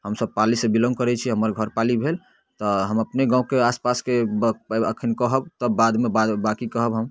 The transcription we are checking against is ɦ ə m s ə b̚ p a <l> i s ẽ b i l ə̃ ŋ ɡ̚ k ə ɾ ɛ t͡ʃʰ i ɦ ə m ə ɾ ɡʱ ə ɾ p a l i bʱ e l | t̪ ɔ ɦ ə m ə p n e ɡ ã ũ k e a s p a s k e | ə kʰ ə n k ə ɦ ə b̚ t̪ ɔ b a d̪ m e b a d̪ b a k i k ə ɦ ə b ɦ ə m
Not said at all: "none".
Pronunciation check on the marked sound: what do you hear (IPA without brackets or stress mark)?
l